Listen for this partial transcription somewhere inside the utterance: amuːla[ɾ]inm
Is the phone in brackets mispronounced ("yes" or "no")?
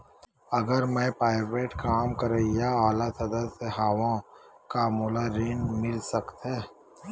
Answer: no